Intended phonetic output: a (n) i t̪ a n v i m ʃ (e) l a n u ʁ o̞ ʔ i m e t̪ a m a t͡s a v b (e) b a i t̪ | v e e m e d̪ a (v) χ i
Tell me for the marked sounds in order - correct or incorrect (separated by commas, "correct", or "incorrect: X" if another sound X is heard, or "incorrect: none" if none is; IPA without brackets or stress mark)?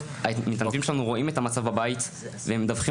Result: incorrect: m, correct, incorrect: a, correct